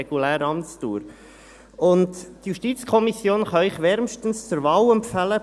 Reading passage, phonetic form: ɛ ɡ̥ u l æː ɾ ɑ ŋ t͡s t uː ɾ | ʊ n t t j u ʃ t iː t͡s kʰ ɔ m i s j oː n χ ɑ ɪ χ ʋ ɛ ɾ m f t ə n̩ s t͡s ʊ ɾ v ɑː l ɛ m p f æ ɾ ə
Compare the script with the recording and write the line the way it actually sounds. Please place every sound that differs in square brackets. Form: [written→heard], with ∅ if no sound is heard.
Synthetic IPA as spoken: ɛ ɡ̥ u l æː ɾ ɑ [ŋ→m] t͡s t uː ɾ | ʊ n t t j u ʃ t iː t͡s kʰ ɔ m i s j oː n χ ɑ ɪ χ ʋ ɛ ɾ m [f→ʃ] t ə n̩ s t͡s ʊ ɾ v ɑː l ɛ m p f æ [ɾ→l] ə